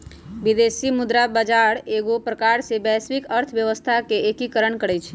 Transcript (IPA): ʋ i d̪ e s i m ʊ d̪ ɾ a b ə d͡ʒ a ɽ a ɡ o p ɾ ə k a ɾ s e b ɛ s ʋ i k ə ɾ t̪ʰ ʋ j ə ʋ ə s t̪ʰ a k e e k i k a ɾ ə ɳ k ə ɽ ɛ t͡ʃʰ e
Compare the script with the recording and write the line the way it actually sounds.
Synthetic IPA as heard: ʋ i d̪ e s i m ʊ d̪ ɾ a b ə d͡ʒ a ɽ e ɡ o p ɾ ə k a ɾ s e b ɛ s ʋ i k ə ɾ t̪ʰ ʋ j ə ʋ ə s t̪ʰ a k e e k i k ə ɾ ə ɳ k ə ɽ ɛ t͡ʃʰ e